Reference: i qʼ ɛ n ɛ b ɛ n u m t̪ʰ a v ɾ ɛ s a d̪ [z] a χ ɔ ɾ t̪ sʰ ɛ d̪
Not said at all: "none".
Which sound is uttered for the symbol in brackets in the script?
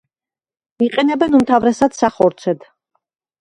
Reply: s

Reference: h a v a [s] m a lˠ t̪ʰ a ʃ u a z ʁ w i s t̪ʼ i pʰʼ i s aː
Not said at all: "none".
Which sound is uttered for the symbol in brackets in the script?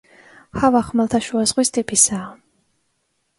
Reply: χ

